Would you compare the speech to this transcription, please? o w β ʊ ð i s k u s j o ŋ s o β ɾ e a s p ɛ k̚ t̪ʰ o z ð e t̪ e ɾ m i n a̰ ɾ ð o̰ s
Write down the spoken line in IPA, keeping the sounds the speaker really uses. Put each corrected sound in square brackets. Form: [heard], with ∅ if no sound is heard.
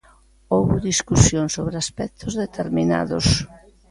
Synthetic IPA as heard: o w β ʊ ð i s k u s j o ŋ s o β ɾ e a s p ɛ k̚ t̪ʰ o z ð e t̪ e ɾ m i n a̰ [∅] ð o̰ s